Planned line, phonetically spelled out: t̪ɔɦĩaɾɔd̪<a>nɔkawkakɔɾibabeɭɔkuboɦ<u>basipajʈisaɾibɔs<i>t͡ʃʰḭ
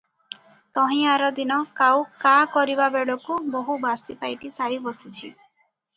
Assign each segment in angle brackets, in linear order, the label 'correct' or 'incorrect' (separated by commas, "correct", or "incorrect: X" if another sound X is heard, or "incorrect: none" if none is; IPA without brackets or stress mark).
incorrect: i, correct, correct